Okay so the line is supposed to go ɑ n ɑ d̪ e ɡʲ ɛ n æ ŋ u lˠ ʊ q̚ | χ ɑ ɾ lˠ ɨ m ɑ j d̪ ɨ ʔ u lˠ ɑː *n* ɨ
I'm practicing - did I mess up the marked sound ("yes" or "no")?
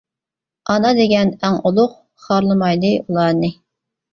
no